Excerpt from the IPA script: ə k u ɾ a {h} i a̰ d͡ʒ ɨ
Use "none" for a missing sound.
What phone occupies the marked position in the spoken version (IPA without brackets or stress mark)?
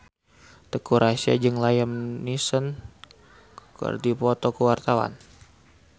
s